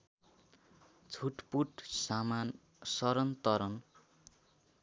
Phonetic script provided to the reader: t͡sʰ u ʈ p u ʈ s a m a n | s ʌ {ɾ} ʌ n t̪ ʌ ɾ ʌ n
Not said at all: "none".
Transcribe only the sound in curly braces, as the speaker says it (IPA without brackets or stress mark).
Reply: ɾ